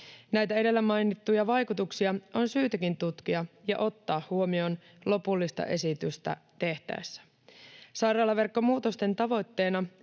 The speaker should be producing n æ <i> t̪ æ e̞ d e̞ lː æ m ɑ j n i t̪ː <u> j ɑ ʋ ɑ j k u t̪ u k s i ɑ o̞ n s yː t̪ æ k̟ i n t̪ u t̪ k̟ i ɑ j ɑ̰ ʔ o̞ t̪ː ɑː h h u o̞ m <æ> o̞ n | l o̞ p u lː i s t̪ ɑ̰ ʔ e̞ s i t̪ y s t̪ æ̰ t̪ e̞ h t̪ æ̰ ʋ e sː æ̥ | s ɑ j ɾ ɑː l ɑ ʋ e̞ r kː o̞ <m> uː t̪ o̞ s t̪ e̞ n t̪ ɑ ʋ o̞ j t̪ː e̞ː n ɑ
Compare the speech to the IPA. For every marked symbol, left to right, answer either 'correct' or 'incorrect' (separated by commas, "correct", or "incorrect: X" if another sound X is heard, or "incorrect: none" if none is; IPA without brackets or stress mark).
incorrect: j, correct, incorrect: i, correct